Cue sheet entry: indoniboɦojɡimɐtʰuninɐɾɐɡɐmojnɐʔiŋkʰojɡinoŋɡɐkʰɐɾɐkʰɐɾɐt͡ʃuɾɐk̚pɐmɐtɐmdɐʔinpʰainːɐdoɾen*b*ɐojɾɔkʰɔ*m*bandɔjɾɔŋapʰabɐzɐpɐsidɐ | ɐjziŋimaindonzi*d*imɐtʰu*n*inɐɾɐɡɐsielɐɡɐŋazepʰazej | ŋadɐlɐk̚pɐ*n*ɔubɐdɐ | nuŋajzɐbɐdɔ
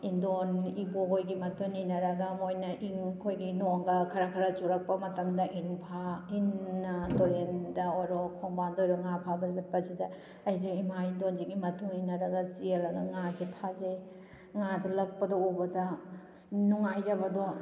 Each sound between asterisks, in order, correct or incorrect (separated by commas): incorrect, incorrect, incorrect, incorrect, incorrect